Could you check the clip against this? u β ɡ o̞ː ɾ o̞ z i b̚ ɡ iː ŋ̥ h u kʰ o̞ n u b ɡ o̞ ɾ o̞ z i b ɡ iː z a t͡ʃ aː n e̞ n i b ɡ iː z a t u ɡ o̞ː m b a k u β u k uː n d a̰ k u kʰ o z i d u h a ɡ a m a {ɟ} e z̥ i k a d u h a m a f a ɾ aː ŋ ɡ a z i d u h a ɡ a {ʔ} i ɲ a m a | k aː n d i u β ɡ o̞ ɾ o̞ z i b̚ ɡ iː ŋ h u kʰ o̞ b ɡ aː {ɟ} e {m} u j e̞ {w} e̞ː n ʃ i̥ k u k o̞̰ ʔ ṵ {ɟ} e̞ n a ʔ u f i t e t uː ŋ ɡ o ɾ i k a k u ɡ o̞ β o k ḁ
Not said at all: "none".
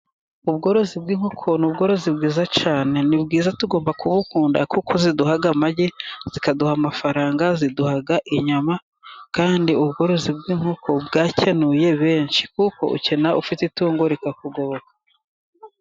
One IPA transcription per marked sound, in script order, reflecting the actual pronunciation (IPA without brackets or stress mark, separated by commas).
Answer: ɟ, ʔ, c, n, β, c